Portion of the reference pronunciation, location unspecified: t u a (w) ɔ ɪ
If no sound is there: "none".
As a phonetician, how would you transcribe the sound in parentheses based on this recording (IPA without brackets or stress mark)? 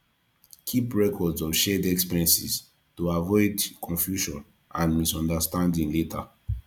v